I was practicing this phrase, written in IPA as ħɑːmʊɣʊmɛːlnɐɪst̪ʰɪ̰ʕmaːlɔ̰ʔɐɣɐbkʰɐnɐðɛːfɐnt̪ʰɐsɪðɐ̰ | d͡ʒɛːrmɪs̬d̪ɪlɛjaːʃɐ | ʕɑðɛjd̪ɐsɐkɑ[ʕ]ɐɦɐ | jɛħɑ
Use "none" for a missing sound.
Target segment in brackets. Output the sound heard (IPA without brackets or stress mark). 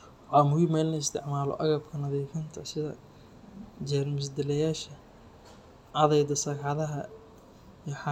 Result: ð